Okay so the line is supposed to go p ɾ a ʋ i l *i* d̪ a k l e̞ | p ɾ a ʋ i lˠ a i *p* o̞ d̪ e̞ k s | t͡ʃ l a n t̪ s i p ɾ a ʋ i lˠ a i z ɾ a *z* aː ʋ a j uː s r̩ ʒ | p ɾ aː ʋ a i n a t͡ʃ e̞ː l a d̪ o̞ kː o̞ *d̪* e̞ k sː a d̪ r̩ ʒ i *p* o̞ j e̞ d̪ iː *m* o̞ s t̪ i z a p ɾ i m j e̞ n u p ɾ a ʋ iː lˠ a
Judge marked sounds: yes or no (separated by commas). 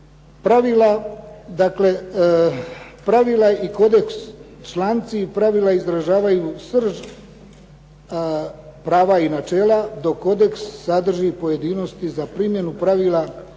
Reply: no, no, no, yes, yes, no